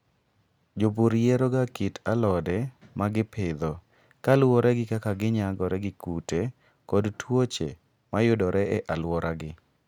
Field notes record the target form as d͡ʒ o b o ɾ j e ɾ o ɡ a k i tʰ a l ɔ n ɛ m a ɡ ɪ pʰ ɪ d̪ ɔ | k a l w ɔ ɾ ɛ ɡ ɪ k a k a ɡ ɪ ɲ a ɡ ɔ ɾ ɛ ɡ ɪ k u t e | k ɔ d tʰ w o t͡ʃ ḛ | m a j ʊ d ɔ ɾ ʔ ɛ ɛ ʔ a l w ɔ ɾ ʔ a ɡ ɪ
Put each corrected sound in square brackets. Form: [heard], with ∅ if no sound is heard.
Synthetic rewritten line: d͡ʒ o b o ɾ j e ɾ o ɡ a k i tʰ a l ɔ [d] ɛ m a ɡ ɪ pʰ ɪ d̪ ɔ | k a l w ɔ ɾ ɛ ɡ ɪ k a k a ɡ ɪ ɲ a ɡ ɔ ɾ ɛ ɡ ɪ k u t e | k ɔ d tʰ w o t͡ʃ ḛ | m a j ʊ d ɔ ɾ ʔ ɛ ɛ ʔ a l w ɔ ɾ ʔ a ɡ ɪ